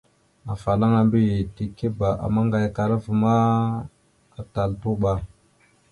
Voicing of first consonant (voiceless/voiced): voiceless